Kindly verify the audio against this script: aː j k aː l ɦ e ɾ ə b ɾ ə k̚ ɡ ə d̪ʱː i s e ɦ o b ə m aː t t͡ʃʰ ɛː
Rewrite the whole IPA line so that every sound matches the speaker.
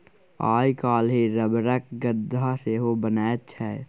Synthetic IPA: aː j k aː l ɦ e ɾ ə b ɾ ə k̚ ɡ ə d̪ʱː a s e ɦ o b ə n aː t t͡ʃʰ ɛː